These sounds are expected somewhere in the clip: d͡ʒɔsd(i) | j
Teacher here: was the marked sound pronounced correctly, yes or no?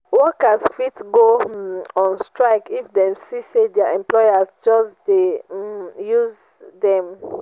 no